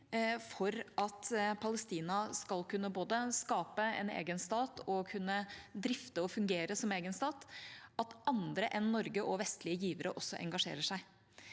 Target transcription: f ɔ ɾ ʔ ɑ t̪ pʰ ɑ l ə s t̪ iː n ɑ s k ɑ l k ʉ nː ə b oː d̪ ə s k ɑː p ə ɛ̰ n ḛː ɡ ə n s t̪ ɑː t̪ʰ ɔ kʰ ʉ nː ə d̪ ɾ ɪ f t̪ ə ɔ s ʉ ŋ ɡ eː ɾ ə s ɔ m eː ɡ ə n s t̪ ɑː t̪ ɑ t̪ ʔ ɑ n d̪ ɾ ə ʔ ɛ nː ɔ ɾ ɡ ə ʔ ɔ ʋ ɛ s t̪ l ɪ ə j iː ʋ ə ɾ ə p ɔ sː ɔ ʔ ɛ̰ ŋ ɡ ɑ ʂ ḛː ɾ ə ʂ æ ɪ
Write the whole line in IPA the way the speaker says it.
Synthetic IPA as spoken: f ɔ ɾ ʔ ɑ t̪ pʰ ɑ l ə s t̪ iː n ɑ s k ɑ l k ʉ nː ə b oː d̪ ə s k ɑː p ə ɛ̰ n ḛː ɡ ə n s t̪ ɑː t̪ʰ ɔ kʰ ʉ nː ə d̪ ɾ ɪ f t̪ ə ɔ f ʉ ŋ ɡ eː ɾ ə s ɔ m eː ɡ ə n s t̪ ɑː t̪ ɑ t̪ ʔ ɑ n d̪ ɾ ə ʔ ɛ nː ɔ ɾ ɡ ə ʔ ɔ ʋ ɛ s t̪ l ɪ ə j iː ʋ ə ɾ ə ʔ ɔ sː ɔ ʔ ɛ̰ ŋ ɡ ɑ ʂ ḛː ɾ ə ʂ æ ɪ

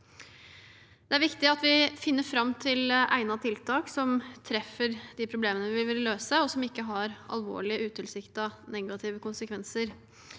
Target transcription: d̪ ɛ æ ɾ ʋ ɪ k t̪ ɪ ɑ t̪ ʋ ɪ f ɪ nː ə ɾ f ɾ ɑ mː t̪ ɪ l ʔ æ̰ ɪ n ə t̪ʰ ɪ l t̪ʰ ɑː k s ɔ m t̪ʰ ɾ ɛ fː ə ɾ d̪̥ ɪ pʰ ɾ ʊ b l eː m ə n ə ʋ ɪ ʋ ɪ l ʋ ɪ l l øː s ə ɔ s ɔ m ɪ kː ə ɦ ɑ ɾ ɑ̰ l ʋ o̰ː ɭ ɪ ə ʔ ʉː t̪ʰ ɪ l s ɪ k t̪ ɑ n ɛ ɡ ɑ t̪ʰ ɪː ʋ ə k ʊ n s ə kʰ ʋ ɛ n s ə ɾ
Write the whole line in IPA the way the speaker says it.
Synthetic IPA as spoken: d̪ ɛ æ ɾ ʋ ɪ k t̪ ɪ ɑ t̪ ʋ ɪ f ɪ nː ə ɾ f ɾ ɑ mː t̪ʰ ɪ l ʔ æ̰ ɪ n ɑ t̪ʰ ɪ l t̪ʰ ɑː k s ɔ m t̪ʰ ɾ ɛ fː ə ɾ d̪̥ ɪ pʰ ɾ ʊ b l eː m ə n ə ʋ ɪ ʋ ɪ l ʋ ɪ l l øː s ə ɔ s ɔ m ɪ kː ə ɦ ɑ ɾ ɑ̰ l ʋ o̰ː ɭ ɪ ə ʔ ʉː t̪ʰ ɪ l s ɪ k t̪ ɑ n ɛ ɡ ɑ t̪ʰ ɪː ʋ ə k ʊ n s ə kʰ ʋ ɛ n s ə ɾ

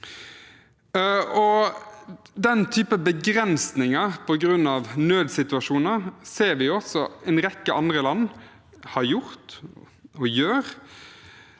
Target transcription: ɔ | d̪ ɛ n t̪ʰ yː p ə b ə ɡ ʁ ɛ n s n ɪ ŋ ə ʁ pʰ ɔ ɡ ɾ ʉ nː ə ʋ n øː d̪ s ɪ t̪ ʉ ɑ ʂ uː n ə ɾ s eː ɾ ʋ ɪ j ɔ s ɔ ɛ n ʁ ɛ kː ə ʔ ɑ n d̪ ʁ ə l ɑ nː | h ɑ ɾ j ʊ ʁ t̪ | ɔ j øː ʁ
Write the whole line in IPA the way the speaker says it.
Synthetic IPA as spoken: ɔ | d̪ ɛ n t̪ʰ yː p ə b ə ɡ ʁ ɛ n s n ɪ ŋ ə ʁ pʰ ɔ ɡ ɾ ʉ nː ɑ ʋ n øː d̪ s ɪ t̪ ʉ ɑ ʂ uː n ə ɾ s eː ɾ ʋ ɪ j ɔ s ɔ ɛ n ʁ ɛ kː ə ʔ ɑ n d̪ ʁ ə l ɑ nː | h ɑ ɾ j ʊ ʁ t̪ | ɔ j øː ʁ

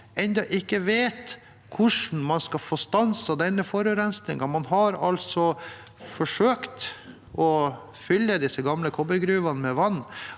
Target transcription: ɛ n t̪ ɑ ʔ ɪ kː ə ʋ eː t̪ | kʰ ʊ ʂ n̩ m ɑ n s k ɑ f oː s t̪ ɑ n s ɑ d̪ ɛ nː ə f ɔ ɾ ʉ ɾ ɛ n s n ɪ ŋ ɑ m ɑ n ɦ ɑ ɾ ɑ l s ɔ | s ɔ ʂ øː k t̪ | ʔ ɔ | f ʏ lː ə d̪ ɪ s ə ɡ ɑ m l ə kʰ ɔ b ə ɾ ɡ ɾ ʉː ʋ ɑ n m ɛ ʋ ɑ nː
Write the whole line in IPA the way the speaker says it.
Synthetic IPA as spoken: ɛ n d̪ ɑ ʔ ɪ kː ə ʋ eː t̪ | kʰ ʊ ʂ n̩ m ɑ n s k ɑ f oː s t̪ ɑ n s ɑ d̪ ɛ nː ə f ɔ ɾ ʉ ɾ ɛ n s n ɪ ŋ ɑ m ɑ n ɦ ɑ ɾ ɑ l s ɔ | f ɔ ʂ øː k t̪ | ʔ ɔ | f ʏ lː ə d̪ ɪ s ə ɡ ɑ m l ə kʰ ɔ b ə ɾ ɡ ɾ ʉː ʋ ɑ n m ɛ ʋ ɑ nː

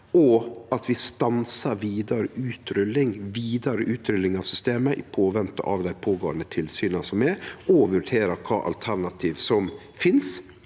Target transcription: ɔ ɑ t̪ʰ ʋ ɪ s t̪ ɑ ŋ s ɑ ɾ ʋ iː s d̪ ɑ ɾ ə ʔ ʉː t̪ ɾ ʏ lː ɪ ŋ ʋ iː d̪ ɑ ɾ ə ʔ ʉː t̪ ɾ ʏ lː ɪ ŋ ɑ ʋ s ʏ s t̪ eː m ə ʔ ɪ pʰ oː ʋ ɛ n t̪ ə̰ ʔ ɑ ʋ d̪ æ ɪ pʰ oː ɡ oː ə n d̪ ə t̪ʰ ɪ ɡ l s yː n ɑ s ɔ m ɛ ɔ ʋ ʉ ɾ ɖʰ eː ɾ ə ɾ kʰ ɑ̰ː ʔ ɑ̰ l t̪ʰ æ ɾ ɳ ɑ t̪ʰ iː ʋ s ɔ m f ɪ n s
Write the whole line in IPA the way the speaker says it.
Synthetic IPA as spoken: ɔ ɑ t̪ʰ ʋ ɪ s t̪ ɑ n s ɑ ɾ ʋ iː d̪ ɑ ɾ ə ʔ ʉː t̪ ɾ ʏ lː ɪ ŋ ʋ iː d̪ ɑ ɾ ə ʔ ʉː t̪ ɾ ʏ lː ɪ ŋ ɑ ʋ s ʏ s t̪ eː m ə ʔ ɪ pʰ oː ʋ ɛ n t̪ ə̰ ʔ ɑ ʋ d̪ æ ɪ pʰ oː ɡ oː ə n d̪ ə t̪ʰ ɪ l s yː n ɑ s ɔ m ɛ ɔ ʋ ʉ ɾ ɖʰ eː ɾ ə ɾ kʰ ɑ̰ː ʔ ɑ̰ l t̪ʰ æ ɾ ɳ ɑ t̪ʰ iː ʋ s ɔ m f ɪ n s

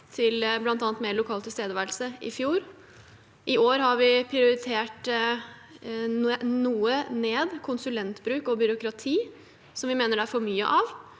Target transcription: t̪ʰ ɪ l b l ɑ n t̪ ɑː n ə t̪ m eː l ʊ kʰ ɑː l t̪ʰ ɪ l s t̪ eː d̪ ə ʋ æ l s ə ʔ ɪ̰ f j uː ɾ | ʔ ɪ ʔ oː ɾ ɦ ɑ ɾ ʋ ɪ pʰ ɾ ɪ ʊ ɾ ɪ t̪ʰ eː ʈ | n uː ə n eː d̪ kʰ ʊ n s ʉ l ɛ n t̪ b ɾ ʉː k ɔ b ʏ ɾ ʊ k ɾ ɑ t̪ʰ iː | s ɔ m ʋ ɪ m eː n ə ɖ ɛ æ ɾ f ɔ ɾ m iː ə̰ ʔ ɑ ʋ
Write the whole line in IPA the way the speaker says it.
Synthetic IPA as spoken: t̪ʰ ɪ l b l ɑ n t̪ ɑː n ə t̪ m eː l ʊ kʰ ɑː l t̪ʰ ɪ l s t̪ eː d̪ ə ʋ æ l s ə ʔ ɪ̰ f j uː ɾ | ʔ ɪ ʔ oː ɾ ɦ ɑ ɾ ʋ ɪ pʰ ɾ ɪ ʊ ɾ ɪ t̪ʰ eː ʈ | n uː ə n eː d̪ kʰ ʊ n s ʉ l ɛ n t̪ b ɾ ʉː k ɔ b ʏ ɾ ʊ k ɾ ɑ t̪ʰ iː | s ɔ m ʋ ɪ m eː n ə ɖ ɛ æ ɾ f ɔ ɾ m yː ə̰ ʔ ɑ ʋ

